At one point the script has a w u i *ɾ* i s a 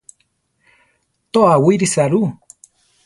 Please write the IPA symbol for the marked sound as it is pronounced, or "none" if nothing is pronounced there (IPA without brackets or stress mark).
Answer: ɾ